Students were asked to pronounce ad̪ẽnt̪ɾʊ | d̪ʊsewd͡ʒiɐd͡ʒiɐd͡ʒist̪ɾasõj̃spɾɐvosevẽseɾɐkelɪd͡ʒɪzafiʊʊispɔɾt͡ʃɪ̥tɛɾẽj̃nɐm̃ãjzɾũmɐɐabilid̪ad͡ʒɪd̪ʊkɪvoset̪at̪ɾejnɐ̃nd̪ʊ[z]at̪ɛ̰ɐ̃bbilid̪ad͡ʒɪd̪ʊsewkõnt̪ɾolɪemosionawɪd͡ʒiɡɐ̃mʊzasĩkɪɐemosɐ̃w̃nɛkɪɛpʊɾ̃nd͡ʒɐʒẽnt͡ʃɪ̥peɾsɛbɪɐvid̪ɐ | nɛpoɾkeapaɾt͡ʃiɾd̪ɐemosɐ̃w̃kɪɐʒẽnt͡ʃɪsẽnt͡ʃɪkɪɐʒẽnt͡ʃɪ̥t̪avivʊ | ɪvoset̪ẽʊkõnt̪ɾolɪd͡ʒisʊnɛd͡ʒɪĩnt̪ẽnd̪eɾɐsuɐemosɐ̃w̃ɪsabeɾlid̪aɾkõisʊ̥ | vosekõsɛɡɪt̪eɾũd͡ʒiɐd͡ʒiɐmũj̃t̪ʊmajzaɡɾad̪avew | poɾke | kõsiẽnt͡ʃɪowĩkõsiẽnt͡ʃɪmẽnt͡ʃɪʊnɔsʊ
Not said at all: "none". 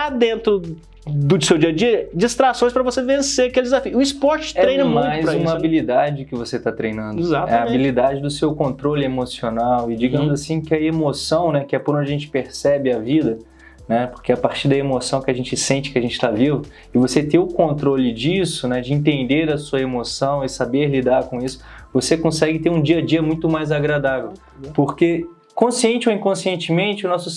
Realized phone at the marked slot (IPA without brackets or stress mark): z